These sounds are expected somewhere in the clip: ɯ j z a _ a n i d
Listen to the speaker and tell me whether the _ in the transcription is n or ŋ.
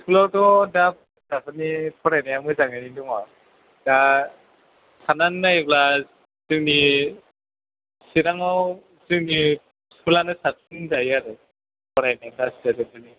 ŋ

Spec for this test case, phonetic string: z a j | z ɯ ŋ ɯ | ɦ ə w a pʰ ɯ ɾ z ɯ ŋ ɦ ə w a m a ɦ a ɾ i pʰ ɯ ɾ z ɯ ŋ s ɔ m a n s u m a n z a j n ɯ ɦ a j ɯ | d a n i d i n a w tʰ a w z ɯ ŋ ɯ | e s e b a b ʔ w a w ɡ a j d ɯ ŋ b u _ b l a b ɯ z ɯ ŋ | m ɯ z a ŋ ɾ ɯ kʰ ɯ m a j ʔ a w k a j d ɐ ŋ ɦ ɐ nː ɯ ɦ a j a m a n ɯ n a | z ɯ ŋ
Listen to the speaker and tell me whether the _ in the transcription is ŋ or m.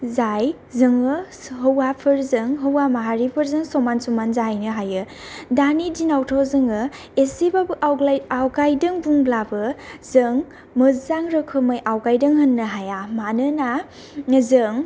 ŋ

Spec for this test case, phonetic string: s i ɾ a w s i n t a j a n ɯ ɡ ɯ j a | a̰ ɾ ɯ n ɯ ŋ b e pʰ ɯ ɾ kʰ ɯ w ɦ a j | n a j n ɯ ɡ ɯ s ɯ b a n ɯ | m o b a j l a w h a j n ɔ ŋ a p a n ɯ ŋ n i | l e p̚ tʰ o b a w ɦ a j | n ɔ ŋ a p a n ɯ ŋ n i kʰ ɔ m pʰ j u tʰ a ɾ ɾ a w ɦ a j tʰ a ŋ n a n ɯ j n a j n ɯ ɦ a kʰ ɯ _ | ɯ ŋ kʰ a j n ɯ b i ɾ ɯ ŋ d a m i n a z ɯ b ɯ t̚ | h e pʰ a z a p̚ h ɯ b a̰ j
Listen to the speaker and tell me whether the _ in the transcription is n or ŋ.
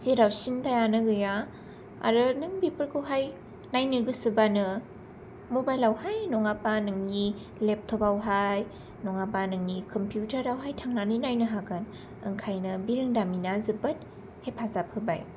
n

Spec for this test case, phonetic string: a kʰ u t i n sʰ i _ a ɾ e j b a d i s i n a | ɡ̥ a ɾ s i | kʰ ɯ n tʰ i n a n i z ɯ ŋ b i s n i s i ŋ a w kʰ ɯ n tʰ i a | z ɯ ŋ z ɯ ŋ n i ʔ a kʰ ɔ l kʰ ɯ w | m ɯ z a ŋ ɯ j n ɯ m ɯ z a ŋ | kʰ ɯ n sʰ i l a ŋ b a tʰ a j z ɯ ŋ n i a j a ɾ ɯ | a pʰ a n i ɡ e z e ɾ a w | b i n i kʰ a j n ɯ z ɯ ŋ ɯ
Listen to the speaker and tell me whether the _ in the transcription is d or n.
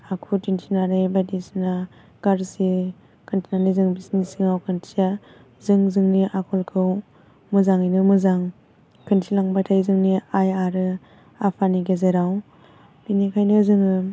n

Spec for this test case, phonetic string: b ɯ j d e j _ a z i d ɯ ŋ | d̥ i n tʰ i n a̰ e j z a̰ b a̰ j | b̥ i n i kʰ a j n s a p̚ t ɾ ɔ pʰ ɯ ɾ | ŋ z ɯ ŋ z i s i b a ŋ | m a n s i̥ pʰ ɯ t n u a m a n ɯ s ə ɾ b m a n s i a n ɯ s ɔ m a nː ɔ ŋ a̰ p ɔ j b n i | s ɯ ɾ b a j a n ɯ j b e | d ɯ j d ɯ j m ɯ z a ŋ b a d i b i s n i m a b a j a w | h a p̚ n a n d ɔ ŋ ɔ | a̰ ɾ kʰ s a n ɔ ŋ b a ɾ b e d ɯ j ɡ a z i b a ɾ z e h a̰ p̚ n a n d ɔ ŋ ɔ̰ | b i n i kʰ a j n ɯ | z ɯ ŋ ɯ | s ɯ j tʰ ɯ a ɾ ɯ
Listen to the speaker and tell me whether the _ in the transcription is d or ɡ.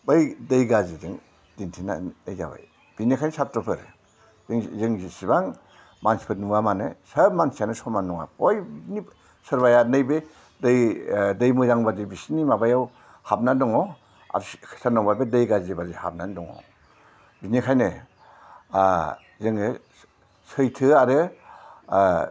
ɡ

